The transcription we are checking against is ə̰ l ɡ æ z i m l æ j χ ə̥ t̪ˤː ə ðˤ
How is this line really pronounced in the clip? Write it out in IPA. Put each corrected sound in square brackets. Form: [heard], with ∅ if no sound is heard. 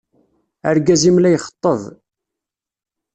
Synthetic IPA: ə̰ [ɾ] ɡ æ z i m l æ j χ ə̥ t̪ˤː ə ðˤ